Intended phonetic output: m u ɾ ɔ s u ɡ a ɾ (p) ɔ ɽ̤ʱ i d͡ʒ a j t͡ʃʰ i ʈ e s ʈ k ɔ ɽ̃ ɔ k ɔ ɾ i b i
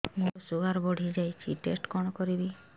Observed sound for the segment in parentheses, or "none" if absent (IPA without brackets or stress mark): b